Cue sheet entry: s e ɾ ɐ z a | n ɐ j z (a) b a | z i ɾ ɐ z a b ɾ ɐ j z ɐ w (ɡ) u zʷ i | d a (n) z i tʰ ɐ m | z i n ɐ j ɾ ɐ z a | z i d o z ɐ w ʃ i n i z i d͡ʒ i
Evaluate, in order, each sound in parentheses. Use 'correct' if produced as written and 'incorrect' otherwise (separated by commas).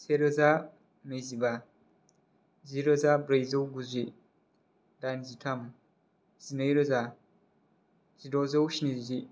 incorrect, correct, correct